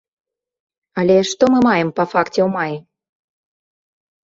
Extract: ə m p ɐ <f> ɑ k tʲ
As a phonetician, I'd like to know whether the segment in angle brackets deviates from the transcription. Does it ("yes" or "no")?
no